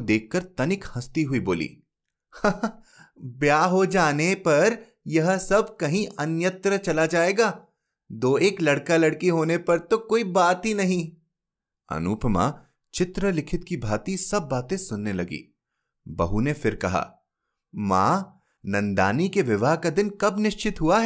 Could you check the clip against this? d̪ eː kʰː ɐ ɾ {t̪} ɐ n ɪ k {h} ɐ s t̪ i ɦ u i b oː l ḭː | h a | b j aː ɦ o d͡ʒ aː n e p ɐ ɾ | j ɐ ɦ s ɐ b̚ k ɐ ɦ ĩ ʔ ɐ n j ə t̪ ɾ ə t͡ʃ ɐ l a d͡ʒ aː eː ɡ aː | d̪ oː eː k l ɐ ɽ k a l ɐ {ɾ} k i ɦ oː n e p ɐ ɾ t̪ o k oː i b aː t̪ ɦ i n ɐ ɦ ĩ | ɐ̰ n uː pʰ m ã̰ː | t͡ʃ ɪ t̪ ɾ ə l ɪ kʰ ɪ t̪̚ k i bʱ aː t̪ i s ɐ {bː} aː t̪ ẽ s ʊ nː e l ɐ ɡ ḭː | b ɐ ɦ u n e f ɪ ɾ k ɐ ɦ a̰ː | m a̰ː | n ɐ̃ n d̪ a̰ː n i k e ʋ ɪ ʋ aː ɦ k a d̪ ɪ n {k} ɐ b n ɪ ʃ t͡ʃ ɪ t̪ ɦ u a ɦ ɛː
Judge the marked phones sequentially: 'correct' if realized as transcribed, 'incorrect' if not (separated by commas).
correct, correct, incorrect, correct, correct